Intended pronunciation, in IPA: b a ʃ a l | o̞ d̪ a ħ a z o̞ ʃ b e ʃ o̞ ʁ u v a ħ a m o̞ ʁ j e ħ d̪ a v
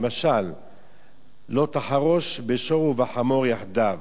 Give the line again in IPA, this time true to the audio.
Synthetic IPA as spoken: m a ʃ a l | o̞ t̪ a ħ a ʁ o̞ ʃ b e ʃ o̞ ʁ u v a ħ a m o̞ ʁ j a ħ d̪ a v